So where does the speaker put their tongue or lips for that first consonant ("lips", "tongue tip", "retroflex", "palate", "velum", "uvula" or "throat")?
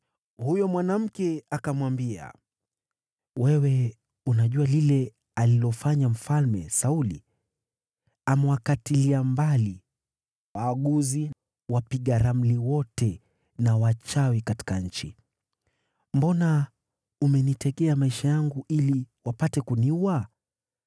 throat